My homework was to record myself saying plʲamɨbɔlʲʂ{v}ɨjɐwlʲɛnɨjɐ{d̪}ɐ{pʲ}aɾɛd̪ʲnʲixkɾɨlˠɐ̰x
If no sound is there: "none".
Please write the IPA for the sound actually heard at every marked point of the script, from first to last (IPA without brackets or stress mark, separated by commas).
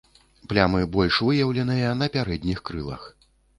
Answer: v, n̪, pʲ